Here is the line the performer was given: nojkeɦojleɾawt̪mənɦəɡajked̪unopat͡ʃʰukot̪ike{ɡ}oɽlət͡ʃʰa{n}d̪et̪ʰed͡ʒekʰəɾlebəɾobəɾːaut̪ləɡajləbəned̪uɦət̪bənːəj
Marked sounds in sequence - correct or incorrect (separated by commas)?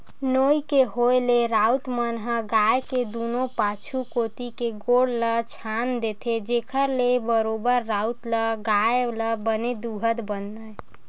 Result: correct, correct